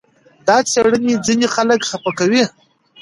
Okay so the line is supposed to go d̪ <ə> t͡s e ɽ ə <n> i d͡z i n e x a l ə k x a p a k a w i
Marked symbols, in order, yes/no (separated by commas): no, yes